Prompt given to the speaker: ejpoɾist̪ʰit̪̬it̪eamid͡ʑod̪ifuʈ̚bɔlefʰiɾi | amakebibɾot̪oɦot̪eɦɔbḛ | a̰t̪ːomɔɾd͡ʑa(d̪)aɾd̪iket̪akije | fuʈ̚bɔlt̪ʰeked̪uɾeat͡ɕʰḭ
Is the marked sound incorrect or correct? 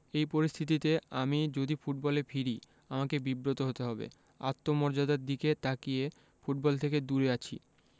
correct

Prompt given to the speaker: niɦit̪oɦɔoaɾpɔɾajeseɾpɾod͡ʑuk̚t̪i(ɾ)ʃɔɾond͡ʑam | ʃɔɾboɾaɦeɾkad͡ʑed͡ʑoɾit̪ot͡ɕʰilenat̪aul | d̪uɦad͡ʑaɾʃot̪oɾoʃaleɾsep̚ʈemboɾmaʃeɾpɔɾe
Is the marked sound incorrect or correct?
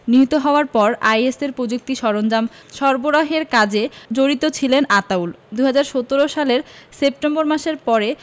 incorrect: none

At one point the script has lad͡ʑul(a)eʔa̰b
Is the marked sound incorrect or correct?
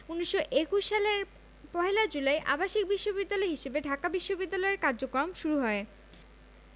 correct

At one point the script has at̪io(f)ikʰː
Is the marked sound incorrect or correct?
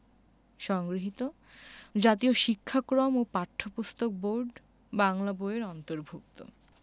incorrect: ʃ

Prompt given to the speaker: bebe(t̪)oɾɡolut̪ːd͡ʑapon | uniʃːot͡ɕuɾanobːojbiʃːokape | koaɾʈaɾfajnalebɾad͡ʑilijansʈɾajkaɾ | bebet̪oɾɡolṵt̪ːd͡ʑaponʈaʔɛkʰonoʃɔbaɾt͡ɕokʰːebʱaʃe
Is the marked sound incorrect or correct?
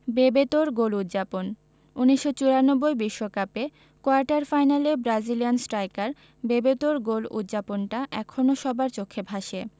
correct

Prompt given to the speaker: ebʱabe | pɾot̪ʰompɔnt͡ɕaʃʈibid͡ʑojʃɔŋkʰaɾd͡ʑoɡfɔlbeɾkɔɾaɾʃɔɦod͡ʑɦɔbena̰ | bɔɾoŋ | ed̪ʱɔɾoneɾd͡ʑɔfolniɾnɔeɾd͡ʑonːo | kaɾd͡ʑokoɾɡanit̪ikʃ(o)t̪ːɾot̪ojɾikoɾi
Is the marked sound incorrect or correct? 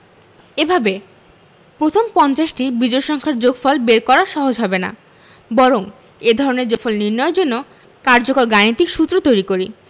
incorrect: u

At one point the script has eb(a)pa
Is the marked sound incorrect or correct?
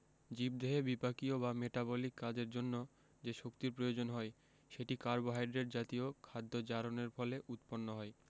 incorrect: i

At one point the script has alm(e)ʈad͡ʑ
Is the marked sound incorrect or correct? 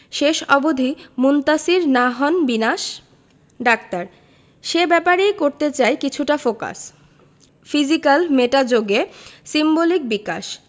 correct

